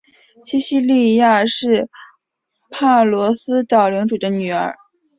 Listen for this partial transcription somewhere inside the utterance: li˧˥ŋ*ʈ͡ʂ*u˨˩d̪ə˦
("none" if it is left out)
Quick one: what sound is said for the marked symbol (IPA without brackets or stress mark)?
ʈ͡ʂ